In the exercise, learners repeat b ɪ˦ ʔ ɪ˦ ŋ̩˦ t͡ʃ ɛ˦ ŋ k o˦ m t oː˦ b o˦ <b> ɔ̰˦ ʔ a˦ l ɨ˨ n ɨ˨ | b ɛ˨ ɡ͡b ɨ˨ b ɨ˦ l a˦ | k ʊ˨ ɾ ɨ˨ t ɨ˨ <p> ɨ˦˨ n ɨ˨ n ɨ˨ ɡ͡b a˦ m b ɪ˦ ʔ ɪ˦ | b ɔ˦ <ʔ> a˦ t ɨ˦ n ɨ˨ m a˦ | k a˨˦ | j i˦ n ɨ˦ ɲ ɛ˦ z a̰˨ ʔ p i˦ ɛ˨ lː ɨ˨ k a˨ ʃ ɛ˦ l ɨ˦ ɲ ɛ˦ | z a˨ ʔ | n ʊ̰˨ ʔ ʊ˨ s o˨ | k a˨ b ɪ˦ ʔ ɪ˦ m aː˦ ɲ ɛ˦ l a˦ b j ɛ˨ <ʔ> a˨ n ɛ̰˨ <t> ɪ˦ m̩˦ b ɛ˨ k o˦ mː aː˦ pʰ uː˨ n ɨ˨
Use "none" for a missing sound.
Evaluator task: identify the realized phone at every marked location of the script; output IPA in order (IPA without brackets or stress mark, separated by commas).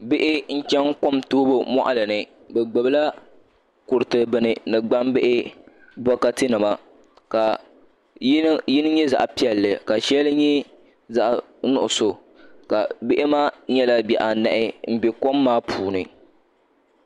m, b, k, ʔ, ʔ